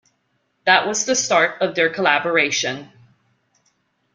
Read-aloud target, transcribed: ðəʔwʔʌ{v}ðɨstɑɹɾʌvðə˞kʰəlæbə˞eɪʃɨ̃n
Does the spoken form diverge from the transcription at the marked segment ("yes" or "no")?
yes